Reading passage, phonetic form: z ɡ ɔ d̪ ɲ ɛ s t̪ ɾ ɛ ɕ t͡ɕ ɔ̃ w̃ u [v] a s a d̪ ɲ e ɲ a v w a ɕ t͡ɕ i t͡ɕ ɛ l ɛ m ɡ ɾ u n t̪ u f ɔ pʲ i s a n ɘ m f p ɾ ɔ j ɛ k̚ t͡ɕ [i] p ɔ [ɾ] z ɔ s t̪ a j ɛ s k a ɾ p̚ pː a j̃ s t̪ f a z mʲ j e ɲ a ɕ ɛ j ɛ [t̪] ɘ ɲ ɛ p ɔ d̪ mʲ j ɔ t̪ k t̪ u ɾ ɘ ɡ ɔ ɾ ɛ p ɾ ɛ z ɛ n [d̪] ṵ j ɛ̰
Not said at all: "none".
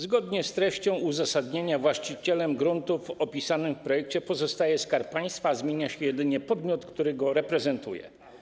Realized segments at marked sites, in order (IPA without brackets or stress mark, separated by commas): z, ɛ, none, d̪, t̪